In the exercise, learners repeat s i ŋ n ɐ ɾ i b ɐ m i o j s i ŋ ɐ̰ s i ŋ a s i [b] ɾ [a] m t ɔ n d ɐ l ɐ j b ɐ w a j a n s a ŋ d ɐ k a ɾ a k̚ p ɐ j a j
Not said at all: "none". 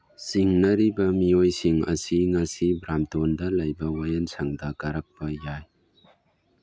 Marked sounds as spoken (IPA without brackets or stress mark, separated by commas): b, a